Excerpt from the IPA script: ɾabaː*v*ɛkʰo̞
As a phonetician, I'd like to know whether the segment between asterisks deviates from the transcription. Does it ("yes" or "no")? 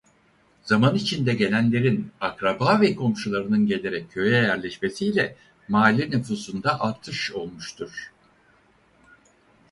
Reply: no